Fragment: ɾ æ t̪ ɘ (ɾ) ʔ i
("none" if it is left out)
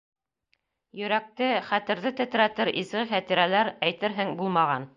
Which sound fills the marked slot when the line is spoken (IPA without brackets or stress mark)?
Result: ɾ